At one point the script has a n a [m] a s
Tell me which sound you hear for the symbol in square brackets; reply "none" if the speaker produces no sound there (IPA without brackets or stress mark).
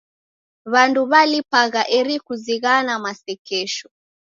m